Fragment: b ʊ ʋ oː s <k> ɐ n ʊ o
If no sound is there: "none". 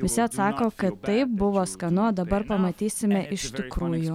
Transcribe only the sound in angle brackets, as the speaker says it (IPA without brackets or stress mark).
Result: k